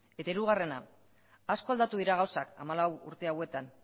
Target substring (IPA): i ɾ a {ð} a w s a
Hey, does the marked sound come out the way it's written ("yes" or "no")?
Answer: no